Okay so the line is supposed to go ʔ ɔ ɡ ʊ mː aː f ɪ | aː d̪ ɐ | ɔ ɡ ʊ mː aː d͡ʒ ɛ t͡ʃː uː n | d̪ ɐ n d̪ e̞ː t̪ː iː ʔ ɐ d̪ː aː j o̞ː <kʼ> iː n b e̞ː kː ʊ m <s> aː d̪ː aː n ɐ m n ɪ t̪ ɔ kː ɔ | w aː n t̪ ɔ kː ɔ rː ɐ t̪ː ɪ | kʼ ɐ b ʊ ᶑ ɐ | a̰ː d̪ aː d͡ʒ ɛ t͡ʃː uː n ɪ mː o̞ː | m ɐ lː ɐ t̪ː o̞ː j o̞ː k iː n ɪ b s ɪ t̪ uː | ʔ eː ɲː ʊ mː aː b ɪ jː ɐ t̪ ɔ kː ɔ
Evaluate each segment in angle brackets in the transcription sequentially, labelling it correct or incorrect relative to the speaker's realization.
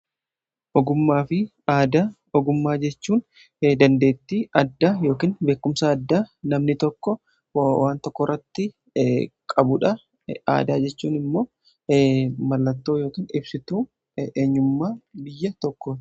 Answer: incorrect: k, correct

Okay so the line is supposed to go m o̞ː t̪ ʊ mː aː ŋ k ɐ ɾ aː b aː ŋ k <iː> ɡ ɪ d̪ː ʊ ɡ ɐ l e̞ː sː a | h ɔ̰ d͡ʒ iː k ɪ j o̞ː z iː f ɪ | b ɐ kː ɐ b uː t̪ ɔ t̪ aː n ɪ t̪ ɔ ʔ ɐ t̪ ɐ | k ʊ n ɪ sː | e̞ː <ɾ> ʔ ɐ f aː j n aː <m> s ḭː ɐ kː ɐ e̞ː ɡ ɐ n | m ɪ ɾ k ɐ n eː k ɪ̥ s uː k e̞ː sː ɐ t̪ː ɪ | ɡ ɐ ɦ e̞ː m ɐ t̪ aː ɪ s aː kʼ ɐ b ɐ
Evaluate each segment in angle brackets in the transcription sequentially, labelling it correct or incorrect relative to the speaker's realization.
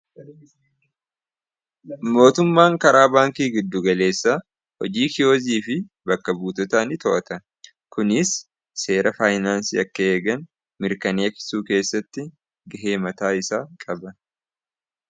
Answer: correct, correct, incorrect: n

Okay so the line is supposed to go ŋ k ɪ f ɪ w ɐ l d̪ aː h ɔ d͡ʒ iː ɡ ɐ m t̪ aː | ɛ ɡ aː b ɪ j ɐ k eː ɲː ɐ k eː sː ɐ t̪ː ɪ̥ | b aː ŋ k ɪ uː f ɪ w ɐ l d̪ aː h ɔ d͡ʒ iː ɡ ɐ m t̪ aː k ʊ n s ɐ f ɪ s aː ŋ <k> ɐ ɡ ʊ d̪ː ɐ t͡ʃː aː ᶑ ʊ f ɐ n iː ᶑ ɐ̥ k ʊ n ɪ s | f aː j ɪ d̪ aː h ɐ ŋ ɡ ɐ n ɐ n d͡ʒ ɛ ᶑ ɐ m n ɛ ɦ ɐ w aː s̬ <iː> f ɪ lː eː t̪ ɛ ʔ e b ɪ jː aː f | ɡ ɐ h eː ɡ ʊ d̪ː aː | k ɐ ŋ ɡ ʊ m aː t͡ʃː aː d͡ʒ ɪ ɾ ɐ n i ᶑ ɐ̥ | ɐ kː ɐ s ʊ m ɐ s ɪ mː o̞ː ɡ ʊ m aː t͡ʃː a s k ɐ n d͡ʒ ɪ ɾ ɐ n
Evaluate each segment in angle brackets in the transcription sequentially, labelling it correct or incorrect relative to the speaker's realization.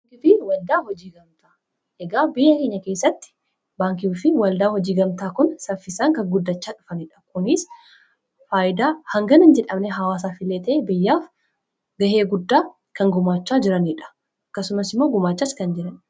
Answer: correct, incorrect: aː

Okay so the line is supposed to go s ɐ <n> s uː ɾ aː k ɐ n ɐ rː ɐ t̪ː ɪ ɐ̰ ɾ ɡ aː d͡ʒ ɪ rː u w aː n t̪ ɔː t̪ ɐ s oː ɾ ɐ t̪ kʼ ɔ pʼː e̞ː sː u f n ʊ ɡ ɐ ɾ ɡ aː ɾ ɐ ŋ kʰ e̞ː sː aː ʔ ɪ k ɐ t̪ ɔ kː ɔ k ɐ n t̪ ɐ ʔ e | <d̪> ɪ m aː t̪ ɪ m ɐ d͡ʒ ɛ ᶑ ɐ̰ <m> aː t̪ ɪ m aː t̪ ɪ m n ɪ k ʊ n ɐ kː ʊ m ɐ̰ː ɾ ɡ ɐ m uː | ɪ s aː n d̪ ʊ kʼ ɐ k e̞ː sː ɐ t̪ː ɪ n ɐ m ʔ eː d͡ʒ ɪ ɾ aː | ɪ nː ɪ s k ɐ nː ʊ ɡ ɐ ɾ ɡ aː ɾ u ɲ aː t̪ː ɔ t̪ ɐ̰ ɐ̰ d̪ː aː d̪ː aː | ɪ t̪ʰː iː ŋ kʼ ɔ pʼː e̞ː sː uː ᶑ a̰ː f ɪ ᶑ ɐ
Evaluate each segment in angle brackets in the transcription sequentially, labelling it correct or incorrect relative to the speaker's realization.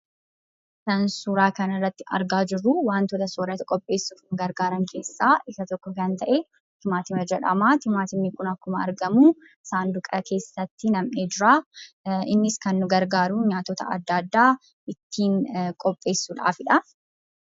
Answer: correct, incorrect: t̪, correct

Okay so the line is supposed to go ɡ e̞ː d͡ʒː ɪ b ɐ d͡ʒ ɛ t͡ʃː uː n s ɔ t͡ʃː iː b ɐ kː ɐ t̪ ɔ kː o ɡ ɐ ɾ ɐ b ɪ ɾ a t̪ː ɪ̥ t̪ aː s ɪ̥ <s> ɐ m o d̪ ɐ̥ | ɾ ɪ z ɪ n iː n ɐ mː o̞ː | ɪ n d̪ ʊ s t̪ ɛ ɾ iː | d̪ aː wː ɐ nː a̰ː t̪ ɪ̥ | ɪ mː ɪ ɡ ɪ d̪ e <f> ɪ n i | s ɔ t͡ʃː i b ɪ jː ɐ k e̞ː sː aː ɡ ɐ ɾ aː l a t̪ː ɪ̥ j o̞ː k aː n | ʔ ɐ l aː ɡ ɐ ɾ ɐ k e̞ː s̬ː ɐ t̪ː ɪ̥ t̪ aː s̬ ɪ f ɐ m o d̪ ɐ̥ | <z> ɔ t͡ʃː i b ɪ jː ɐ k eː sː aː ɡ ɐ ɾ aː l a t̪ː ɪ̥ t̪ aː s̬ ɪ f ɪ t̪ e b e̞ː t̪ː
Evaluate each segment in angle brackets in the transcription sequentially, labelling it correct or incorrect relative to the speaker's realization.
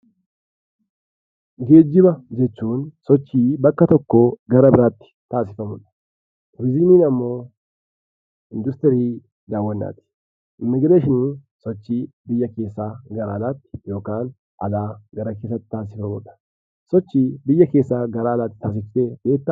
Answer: incorrect: f, incorrect: ʃ, incorrect: s

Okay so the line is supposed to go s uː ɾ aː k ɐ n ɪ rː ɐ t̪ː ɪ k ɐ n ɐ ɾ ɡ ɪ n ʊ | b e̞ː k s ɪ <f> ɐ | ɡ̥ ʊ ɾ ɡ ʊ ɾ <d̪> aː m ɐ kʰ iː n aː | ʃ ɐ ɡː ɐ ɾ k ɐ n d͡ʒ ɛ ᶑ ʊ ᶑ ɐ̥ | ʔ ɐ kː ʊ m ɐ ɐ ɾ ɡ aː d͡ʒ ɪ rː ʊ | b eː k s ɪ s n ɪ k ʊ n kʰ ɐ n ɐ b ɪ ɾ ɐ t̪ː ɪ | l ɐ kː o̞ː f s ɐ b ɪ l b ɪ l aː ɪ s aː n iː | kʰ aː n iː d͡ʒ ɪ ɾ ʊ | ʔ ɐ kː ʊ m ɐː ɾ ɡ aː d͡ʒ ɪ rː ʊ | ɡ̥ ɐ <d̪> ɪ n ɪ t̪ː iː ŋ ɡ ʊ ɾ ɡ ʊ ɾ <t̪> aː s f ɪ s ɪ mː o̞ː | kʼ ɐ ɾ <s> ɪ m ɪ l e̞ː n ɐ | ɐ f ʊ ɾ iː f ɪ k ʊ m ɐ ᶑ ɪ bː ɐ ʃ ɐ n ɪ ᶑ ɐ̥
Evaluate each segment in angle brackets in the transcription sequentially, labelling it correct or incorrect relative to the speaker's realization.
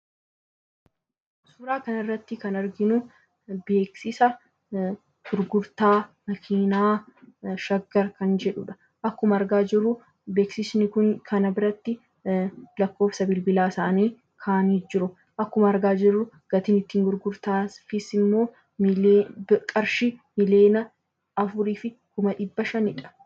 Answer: incorrect: s, incorrect: t̪, incorrect: t̪, correct, incorrect: ʃ

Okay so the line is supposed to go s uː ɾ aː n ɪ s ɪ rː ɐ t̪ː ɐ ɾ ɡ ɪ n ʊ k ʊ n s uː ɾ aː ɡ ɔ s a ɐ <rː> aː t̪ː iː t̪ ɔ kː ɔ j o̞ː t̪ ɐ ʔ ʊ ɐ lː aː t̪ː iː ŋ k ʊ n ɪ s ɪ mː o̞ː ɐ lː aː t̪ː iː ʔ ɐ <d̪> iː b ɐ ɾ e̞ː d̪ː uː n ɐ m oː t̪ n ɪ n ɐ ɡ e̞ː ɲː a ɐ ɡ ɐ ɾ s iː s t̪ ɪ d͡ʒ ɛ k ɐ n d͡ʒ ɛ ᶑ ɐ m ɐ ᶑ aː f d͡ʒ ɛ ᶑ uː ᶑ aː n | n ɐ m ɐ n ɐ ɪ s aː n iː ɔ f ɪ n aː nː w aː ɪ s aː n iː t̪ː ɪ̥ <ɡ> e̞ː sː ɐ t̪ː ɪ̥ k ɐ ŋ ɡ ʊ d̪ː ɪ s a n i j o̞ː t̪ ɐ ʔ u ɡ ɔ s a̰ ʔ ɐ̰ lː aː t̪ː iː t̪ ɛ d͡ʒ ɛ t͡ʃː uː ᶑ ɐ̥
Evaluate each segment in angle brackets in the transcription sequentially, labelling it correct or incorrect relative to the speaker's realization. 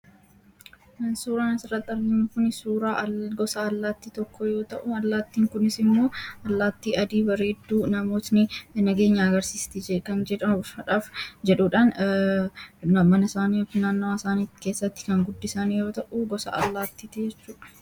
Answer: incorrect: lː, correct, incorrect: k

